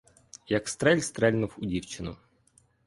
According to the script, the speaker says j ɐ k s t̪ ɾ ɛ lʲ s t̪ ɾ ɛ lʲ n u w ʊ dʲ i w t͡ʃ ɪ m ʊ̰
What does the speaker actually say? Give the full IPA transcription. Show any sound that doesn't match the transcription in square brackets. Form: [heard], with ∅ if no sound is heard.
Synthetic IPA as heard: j ɐ k s t̪ ɾ ɛ lʲ s t̪ ɾ ɛ lʲ n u w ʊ dʲ i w t͡ʃ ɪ [n] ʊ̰

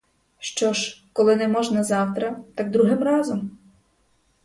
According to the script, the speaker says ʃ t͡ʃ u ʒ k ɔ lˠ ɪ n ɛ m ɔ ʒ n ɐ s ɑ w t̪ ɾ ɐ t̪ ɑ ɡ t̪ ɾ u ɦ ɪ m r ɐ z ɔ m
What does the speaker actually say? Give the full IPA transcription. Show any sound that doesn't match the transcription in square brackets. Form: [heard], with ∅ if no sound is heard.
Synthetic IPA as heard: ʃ t͡ʃ [ɔ] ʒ k ɔ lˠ ɪ n ɛ m ɔ ʒ n ɐ [z] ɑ w t̪ ɾ ɐ t̪ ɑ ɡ [d̪] ɾ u ɦ ɪ m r [ɑ] z ɔ m

